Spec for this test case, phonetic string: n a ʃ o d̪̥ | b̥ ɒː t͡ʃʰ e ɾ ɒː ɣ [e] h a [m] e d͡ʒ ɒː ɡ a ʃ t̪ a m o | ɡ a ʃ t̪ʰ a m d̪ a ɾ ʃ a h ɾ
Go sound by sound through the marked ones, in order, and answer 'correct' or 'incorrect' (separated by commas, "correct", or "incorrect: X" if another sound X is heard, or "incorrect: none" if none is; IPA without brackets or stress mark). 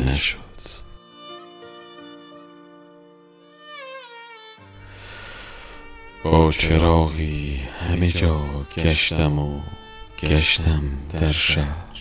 incorrect: i, correct